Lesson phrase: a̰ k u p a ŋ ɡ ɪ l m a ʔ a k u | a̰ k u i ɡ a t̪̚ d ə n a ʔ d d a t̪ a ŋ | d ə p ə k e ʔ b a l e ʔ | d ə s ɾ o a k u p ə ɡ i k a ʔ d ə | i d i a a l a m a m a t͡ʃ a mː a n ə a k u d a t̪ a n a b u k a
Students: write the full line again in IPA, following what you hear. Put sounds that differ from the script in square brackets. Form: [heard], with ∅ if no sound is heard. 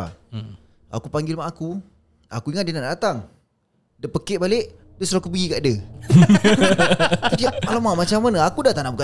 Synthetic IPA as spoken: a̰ k u p a ŋ ɡ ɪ l m a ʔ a k u | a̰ k u i [ŋ] a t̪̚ d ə n a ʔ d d a t̪ a ŋ | d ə p ə k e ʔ b a l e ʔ | d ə s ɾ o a k u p ə ɡ i k a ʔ d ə | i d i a a l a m a m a t͡ʃ a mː a n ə a k u d a t̪ a n a b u k a